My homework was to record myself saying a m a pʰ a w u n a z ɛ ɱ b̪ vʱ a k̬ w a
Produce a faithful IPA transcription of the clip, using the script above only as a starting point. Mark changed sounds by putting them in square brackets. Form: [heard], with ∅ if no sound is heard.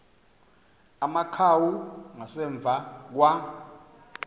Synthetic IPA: a m a [kʰ] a w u [ŋ] a [s] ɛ ɱ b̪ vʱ a k̬ w a